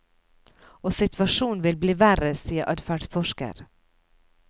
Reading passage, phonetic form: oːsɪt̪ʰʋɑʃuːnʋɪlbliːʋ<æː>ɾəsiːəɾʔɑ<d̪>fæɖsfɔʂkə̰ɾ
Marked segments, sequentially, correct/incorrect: incorrect: æ, correct

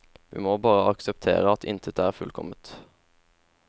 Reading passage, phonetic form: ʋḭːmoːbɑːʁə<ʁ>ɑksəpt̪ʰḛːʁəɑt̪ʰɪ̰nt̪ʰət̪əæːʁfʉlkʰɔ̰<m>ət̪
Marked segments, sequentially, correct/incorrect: incorrect: none, correct

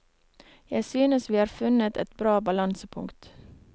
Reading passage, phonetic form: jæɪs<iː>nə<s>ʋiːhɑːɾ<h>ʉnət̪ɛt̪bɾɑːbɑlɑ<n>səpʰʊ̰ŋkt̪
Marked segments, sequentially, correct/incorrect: incorrect: yː, correct, incorrect: f, correct

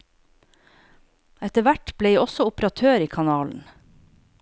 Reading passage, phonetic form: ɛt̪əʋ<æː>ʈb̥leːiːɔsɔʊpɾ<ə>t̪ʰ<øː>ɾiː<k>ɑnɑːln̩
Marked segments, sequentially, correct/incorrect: incorrect: æ, incorrect: ɑ, correct, incorrect: kʰ

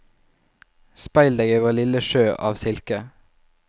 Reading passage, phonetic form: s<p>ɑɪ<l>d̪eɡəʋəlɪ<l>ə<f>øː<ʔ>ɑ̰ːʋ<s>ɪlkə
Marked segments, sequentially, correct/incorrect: correct, correct, correct, incorrect: ʃ, correct, correct

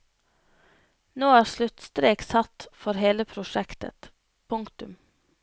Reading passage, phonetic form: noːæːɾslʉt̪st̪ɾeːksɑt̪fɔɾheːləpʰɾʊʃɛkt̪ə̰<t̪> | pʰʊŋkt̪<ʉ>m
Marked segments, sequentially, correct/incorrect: correct, correct

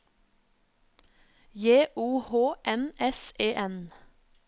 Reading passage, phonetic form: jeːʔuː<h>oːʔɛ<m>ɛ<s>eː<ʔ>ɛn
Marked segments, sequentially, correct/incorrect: correct, incorrect: n, correct, correct

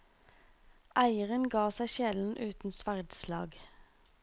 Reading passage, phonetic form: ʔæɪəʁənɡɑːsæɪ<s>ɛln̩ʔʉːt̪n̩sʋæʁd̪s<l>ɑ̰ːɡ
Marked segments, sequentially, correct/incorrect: incorrect: ʃ, correct

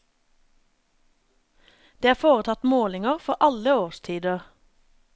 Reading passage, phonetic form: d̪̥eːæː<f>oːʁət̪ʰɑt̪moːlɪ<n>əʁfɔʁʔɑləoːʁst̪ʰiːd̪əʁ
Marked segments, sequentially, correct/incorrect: correct, incorrect: ŋ

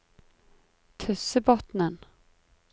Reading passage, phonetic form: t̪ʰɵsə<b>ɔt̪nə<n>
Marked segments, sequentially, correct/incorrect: correct, correct

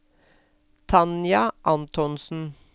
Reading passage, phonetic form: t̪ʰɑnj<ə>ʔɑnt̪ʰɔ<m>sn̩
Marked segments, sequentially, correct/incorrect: incorrect: ɑ, incorrect: n

